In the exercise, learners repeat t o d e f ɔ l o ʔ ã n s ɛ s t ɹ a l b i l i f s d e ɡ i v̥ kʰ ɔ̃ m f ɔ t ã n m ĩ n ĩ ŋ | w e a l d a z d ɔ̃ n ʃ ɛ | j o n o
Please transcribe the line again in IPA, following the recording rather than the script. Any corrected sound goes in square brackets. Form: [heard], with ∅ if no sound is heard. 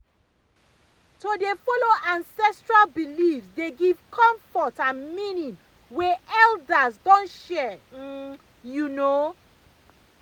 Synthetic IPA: t o d e f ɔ l o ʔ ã n s ɛ s t ɹ a l b i l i f s d e ɡ i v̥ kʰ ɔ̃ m f ɔ t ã n m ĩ n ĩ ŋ | w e [ɛ] l d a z d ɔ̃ n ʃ ɛ | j [u] n o